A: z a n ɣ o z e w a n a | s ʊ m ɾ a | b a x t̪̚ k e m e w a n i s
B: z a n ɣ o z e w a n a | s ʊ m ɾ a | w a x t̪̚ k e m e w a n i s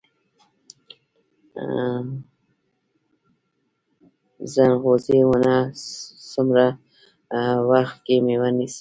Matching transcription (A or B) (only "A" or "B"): B